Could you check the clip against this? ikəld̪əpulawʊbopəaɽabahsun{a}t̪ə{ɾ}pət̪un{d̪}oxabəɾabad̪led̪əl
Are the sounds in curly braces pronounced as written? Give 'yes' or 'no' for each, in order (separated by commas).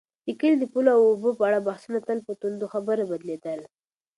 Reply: yes, no, yes